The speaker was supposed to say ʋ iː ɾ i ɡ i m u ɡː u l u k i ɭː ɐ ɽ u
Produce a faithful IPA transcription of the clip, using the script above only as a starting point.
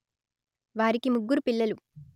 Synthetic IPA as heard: ʋ aː ɾ i k i m u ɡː u ɾ u p i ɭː ɐ l u